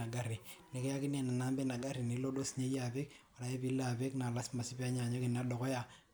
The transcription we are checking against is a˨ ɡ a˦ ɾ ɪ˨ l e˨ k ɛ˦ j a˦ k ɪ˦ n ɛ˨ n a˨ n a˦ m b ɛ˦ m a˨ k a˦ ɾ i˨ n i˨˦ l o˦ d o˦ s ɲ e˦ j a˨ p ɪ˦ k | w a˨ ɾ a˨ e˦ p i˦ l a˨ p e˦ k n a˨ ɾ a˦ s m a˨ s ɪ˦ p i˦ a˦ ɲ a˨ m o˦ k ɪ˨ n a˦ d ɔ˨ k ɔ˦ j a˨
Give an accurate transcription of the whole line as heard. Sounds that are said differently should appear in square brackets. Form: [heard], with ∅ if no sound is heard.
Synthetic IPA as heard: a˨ ɡ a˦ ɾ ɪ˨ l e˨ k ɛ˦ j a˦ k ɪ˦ n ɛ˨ n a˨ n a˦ m b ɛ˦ [n] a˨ [ɡ] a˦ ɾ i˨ n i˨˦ l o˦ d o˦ s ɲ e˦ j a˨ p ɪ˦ k | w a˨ ɾ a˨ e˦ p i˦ l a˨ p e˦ k n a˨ [l] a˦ s m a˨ s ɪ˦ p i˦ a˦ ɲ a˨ [ɲ] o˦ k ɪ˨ n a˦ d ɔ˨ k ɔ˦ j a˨